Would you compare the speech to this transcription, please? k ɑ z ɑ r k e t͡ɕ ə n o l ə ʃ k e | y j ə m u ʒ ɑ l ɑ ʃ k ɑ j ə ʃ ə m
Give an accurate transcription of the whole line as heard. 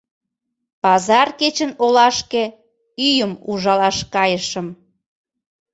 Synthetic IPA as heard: p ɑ z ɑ r k e t͡ɕ ə n o l ɑ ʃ k e | y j ə m u ʒ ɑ l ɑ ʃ k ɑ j ə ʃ ə m